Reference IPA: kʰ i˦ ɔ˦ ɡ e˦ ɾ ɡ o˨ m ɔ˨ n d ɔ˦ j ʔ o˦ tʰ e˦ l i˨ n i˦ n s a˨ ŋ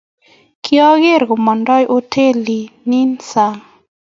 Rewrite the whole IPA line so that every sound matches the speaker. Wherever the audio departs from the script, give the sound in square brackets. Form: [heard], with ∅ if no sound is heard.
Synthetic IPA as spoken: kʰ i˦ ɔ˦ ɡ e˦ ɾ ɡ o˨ m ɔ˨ n d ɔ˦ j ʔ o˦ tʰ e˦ l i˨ n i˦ n s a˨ ŋ